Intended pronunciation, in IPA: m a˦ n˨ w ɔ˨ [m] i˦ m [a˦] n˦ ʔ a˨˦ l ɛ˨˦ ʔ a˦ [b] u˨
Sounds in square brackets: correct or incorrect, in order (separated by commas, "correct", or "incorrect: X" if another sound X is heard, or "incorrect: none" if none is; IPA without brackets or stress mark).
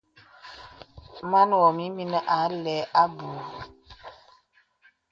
correct, incorrect: i˦, correct